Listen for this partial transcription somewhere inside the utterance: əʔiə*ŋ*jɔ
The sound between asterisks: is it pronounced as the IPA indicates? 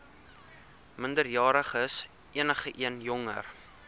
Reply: no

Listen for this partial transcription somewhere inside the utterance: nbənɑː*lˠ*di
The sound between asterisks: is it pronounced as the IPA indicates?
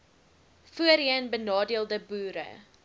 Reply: no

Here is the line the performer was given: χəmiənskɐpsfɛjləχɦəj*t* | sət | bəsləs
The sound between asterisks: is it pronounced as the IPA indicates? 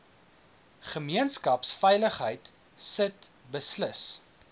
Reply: yes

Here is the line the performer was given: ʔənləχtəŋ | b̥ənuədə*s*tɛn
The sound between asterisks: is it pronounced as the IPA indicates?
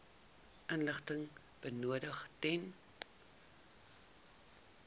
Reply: no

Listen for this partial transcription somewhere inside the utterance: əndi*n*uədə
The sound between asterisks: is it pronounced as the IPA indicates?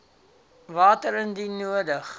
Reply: yes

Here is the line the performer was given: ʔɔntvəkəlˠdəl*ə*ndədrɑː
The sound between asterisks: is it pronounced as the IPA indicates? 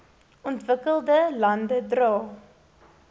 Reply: no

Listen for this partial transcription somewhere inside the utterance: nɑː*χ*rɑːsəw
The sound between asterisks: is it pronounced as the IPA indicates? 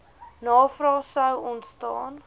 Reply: no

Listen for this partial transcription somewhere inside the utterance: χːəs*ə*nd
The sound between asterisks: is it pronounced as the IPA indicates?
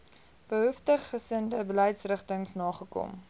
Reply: yes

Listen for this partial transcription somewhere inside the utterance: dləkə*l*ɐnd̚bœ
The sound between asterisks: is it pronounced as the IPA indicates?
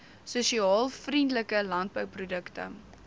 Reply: yes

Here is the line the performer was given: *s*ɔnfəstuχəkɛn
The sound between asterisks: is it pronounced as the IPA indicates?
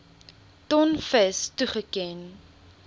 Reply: no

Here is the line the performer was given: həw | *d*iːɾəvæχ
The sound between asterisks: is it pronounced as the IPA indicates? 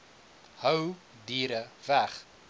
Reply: yes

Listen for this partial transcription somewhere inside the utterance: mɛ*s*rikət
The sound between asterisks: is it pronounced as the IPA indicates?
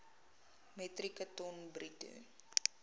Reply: no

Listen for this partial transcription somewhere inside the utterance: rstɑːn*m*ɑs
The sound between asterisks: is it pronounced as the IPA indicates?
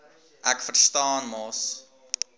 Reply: yes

